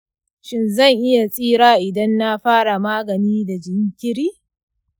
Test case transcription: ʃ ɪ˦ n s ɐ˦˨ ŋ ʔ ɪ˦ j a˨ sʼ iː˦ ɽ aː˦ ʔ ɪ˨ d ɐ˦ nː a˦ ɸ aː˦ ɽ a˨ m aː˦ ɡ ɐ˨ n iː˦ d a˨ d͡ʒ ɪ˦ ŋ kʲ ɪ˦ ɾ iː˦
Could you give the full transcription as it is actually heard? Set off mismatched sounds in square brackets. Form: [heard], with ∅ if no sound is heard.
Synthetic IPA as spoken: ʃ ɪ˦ n [z] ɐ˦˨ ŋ ʔ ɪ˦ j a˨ sʼ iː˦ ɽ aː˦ ʔ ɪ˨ d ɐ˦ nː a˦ ɸ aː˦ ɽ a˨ m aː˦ ɡ ɐ˨ n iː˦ d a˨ d͡ʒ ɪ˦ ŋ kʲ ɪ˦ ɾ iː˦